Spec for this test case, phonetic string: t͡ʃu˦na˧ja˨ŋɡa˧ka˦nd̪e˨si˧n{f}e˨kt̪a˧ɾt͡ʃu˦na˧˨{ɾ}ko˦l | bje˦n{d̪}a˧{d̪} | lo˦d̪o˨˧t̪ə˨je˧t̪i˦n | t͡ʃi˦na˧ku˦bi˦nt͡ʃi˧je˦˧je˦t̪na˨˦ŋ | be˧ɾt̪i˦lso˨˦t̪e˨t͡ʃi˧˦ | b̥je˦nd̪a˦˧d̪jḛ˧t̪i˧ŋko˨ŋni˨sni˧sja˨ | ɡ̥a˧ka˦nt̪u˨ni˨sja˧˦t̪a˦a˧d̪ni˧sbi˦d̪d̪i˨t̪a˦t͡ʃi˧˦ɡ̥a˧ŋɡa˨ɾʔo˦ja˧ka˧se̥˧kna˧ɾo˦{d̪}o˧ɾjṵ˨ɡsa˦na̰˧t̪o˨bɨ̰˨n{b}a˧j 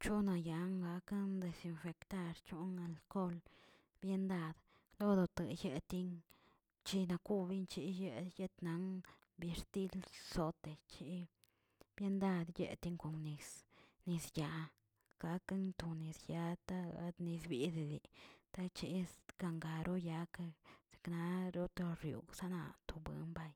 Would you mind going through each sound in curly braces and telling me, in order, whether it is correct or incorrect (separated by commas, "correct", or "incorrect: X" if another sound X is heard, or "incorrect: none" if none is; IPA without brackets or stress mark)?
correct, incorrect: l, correct, correct, incorrect: t̪, correct